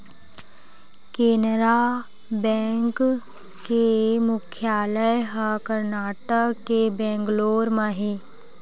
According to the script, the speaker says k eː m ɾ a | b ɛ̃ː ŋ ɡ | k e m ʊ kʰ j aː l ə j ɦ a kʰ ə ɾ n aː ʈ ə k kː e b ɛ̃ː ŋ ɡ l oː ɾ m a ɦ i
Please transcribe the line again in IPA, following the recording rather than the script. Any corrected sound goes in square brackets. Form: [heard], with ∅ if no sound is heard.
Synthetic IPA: k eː [n] ɾ a | b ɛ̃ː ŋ [k] | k e m ʊ kʰ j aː l ə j ɦ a [k] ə ɾ n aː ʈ ə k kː e b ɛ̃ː ŋ ɡ l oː ɾ m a ɦ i